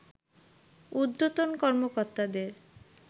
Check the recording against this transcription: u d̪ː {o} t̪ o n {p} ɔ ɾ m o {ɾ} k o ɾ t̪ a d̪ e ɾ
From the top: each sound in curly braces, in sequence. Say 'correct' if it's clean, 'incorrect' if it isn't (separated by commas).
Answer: correct, incorrect, incorrect